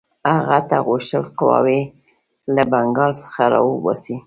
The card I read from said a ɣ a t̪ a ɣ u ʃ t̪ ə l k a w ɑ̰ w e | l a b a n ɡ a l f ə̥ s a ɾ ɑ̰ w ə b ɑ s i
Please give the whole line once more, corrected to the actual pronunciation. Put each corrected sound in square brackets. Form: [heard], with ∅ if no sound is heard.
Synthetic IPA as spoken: a ɣ a t̪ a ɣ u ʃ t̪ ə l [q] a w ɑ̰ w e | l a b a [ŋ] ɡ [ɑ] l [s] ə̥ [x] a ɾ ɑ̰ w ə b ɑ s i